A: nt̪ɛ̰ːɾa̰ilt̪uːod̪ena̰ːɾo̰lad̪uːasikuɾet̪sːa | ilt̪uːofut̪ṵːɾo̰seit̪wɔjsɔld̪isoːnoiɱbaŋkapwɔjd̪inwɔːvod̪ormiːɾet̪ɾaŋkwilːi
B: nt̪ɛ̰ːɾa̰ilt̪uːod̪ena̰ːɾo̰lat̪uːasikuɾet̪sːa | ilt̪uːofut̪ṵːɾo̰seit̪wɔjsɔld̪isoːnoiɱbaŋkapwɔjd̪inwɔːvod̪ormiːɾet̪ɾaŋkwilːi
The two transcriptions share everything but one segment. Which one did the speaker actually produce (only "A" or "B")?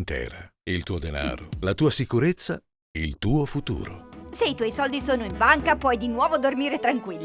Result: B